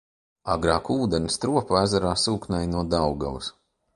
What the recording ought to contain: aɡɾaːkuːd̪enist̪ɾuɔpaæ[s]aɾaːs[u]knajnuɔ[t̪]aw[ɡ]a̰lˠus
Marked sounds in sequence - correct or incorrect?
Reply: incorrect: z, incorrect: uː, incorrect: d̪, correct

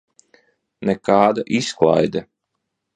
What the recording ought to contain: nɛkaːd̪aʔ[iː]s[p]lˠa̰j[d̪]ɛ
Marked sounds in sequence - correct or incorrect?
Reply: incorrect: i, incorrect: k, correct

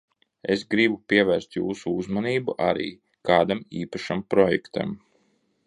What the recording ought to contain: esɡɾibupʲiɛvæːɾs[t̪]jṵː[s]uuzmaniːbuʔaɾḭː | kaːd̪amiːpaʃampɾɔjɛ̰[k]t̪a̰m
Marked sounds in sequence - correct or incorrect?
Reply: correct, correct, correct

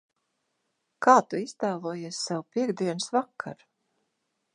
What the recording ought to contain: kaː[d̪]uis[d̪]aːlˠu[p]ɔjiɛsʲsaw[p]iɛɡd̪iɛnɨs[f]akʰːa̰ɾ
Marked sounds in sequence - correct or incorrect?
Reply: incorrect: t̪, incorrect: t̪, incorrect: none, correct, incorrect: v

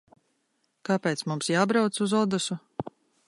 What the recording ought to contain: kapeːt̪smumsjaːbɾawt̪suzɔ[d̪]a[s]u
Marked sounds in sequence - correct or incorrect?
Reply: correct, correct

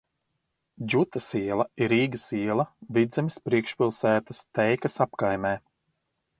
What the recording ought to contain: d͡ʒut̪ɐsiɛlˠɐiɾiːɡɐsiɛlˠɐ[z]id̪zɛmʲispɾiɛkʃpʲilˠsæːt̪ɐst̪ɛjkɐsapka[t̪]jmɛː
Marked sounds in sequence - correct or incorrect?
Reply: incorrect: v, incorrect: none

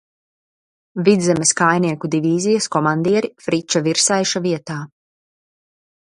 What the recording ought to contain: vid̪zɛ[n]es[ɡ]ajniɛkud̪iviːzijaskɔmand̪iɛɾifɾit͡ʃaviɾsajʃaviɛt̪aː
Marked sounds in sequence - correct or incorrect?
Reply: incorrect: m, incorrect: k

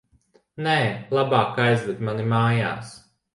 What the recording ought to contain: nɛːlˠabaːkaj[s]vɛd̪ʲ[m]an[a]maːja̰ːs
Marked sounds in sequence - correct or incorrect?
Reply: incorrect: z, correct, incorrect: i

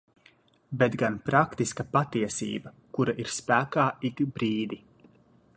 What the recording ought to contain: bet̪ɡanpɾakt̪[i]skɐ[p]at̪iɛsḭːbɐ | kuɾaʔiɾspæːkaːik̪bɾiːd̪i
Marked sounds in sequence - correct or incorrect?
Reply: correct, correct

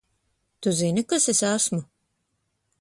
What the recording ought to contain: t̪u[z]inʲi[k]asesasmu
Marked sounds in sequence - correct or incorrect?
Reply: correct, correct

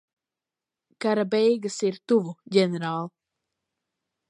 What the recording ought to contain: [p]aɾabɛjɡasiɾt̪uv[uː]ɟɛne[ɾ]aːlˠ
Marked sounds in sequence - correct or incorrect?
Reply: incorrect: k, incorrect: u, correct

